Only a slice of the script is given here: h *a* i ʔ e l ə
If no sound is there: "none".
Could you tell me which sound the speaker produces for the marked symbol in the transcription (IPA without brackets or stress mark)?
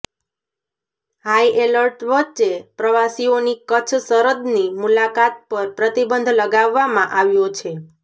a